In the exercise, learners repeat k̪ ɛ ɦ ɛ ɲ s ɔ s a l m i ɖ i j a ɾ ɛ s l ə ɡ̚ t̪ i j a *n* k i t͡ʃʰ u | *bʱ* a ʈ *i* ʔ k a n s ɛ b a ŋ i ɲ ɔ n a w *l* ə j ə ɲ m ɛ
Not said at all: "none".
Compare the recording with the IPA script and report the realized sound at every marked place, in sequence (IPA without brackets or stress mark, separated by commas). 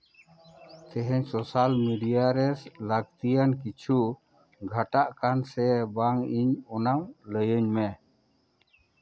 n, ɡʱ, a, l